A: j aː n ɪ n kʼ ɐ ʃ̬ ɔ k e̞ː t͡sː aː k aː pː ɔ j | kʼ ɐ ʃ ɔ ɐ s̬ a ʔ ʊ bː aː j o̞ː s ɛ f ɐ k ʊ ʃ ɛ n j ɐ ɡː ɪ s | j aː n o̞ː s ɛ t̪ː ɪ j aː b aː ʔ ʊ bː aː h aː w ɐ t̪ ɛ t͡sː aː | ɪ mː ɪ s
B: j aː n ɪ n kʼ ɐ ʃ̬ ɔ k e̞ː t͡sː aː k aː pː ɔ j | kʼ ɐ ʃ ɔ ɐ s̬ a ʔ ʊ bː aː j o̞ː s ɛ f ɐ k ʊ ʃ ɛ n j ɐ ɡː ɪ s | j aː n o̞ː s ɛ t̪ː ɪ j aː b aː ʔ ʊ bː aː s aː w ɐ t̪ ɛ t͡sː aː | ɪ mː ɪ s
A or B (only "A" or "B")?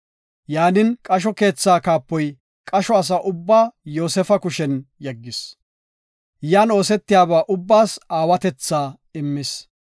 B